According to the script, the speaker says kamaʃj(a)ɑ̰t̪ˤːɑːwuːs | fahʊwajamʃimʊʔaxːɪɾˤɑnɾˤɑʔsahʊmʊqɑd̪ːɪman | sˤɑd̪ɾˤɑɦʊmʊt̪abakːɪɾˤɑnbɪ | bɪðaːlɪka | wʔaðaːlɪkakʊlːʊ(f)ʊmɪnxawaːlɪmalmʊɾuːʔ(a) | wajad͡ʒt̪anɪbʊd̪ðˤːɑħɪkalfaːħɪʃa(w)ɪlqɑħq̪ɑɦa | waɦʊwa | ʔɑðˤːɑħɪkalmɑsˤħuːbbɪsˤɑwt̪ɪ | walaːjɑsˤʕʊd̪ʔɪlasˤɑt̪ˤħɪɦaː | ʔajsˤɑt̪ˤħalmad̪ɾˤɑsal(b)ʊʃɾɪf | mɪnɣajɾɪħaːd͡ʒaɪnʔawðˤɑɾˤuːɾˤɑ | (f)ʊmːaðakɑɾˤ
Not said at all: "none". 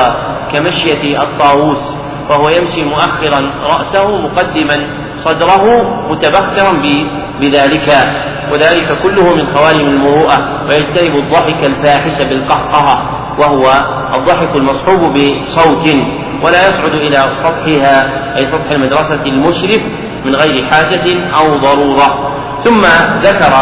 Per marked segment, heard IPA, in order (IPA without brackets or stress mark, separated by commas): a, h, a, b, m, θ